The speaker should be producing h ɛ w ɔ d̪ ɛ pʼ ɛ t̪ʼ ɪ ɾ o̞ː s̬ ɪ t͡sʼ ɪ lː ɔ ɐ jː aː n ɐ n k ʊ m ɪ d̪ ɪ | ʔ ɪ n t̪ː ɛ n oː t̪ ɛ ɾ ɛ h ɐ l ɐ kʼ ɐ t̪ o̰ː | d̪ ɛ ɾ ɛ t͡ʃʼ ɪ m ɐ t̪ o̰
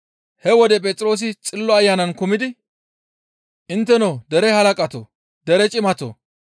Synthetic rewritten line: h ɛ w ɔ d̪ ɛ pʼ ɛ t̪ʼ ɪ ɾ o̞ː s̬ ɪ t͡sʼ ɪ lː ɔ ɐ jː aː n ɐ n k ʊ m ɪ d̪ ɪ | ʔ ɪ n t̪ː ɛ n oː d̪ ɛ ɾ ɛ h ɐ l ɐ kʼ ɐ t̪ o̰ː | d̪ ɛ ɾ ɛ t͡ʃʼ ɪ m ɐ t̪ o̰